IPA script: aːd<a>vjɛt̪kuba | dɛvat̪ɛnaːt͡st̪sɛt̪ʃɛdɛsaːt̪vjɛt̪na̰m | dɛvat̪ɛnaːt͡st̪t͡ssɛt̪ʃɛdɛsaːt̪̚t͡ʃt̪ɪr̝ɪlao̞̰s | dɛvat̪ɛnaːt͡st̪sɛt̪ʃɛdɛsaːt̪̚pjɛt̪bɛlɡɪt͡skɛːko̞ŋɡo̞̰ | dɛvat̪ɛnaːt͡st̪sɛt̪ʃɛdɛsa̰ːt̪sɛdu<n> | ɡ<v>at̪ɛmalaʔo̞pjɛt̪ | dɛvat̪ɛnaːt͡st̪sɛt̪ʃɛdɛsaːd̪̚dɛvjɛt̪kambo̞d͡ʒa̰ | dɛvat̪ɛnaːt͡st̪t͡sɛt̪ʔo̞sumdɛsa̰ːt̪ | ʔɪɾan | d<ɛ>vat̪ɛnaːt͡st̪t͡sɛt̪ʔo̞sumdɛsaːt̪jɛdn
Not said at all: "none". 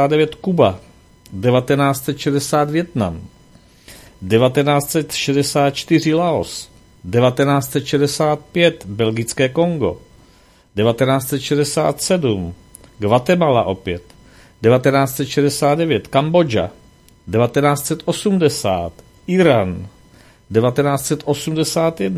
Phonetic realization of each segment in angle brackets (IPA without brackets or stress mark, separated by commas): ɛ, m, v, ɛ